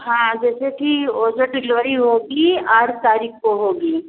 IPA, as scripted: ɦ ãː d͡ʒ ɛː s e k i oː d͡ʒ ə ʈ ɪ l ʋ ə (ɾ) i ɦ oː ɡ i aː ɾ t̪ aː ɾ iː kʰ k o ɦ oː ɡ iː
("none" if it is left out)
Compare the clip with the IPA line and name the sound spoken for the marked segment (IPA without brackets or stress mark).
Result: ɾ